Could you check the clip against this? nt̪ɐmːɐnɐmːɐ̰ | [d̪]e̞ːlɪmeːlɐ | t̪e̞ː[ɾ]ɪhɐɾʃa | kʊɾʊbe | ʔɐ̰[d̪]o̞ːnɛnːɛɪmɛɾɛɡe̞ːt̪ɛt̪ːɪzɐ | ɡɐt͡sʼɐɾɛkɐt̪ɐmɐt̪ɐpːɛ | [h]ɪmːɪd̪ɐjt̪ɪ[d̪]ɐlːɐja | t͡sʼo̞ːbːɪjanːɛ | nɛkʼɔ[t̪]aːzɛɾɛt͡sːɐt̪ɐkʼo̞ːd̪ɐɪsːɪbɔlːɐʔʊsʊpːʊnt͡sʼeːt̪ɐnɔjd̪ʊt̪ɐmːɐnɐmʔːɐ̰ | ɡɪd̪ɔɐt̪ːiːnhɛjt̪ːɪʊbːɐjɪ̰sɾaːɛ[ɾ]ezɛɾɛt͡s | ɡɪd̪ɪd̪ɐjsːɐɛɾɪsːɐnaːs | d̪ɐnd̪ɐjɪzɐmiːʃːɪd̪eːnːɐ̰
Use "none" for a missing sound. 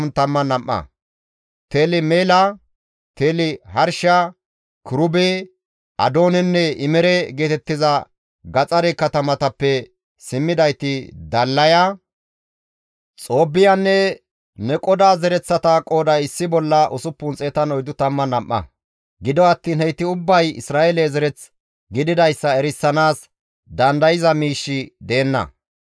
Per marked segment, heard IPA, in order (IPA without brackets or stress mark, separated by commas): t̪, l, d̪, s, d̪, d̪, l